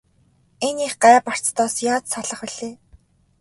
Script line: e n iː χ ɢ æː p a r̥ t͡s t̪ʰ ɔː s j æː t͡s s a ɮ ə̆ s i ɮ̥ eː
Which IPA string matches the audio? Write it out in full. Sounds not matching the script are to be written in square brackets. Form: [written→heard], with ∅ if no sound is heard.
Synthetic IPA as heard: e n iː χ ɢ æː p a r̥ t͡s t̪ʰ ɔː s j [æː→aː] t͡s s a ɮ ə̆ [s→χ] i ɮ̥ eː